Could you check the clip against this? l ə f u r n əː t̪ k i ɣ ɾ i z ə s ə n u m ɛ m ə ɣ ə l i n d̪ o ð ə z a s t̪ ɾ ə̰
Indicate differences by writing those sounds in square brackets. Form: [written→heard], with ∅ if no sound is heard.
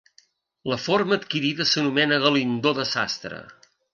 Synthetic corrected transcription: l ə f [u→o] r [n→m] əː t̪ k i [ɣ→∅] ɾ i [z→ð] ə s ə n u m ɛ [m→n] ə ɣ ə l i n d̪ o ð ə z a s t̪ ɾ ə̰